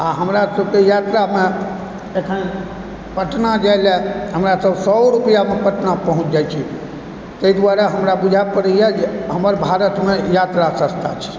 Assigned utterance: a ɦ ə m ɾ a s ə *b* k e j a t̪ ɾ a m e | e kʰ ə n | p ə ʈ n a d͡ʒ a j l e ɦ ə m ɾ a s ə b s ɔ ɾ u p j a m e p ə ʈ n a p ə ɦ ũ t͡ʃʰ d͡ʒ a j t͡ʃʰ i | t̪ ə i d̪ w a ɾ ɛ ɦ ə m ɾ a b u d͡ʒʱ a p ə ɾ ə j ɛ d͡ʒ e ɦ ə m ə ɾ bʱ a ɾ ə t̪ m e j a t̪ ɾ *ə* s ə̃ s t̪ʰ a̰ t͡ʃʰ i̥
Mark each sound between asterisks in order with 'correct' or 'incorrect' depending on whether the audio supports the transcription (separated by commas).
correct, incorrect